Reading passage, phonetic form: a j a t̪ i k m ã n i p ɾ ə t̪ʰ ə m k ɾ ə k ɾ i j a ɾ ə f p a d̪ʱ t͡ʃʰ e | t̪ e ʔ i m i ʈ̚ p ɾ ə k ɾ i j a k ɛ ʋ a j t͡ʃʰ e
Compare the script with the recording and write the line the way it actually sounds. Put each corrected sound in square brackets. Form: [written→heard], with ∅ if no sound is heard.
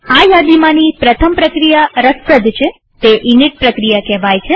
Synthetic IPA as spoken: a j a [t̪→d̪] i [k→∅] m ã n i p ɾ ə t̪ʰ ə m [k→p] ɾ ə k ɾ i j a ɾ ə [f→s] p [a→ə] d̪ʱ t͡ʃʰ e | t̪ e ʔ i [m→n] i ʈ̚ p ɾ ə k ɾ i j a k ɛ ʋ a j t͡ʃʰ e